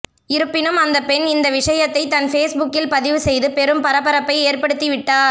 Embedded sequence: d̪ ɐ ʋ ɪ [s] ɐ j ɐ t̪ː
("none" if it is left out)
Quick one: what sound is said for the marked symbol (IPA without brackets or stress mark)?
ʂ